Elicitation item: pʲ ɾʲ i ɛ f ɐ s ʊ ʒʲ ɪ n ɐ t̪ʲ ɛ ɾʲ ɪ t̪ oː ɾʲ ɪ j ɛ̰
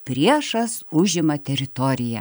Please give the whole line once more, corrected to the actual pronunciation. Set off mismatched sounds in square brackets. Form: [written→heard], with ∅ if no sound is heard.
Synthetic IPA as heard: pʲ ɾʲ i ɛ [f→ʃ] ɐ s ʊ ʒʲ ɪ [n→m] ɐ t̪ʲ ɛ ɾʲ ɪ t̪ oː ɾʲ ɪ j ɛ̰